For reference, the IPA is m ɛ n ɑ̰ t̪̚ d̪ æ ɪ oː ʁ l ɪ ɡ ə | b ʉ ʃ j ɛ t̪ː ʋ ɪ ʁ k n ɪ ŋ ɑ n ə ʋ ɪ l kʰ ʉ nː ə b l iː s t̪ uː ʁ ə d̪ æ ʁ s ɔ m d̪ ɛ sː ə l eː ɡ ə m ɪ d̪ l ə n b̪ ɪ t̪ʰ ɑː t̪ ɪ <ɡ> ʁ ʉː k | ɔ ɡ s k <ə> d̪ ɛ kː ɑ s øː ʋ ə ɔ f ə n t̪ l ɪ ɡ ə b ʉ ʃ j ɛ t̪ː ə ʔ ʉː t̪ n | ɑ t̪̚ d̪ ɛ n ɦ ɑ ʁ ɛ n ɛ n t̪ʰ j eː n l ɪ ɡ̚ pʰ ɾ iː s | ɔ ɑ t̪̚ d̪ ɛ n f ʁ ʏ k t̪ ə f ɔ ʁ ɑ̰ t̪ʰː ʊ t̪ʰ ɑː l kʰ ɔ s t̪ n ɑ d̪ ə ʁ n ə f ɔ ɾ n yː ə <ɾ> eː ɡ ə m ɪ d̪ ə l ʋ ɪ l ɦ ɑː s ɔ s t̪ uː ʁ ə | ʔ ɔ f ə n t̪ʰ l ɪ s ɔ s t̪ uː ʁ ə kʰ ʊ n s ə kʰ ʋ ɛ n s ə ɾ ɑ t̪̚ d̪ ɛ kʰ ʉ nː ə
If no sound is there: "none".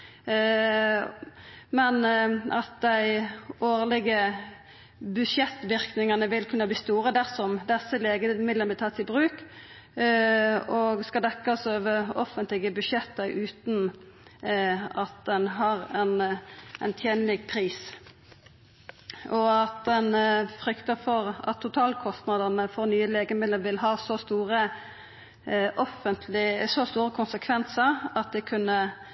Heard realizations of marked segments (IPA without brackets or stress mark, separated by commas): b, ɑ, l